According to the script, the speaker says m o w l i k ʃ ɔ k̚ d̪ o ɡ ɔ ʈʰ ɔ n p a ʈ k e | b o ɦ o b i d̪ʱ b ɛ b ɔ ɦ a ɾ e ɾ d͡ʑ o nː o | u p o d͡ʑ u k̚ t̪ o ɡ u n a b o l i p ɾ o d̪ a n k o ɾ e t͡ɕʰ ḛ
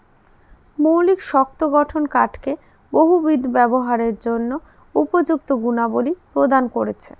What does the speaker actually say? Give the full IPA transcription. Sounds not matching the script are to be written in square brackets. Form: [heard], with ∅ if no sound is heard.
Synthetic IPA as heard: m o w l i k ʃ ɔ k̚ [t̪] o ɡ ɔ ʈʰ [o] n [k] a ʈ k e | b o ɦ [u] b i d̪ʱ b ɛ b [o] ɦ a ɾ e ɾ d͡ʑ o nː o | u p o d͡ʑ u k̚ t̪ o ɡ u n a b o l i p ɾ o d̪ a n k o ɾ e t͡ɕʰ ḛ